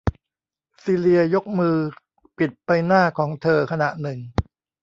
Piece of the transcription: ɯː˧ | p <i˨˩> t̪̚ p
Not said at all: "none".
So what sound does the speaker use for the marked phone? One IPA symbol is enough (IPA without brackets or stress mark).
i˨˩